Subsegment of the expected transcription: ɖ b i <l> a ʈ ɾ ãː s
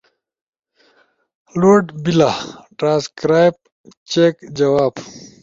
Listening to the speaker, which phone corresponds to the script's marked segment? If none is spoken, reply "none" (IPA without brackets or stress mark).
l